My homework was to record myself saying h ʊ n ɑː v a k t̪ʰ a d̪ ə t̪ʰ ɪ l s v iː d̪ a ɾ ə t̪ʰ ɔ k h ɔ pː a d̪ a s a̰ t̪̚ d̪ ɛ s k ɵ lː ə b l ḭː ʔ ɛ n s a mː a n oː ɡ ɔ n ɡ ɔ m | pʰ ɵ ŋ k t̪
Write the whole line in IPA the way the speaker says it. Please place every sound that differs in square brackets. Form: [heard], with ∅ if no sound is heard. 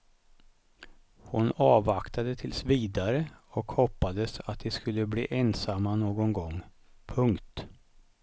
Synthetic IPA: h ʊ n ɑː v a k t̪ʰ a d̪ ə t̪ʰ ɪ l s v iː d̪ a ɾ ə [∅] ɔ k h ɔ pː a d̪ [ə] s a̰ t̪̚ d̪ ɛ s k ɵ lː ə b l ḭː ʔ ɛ n s a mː a n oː ɡ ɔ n ɡ ɔ [ŋ] | pʰ ɵ ŋ k t̪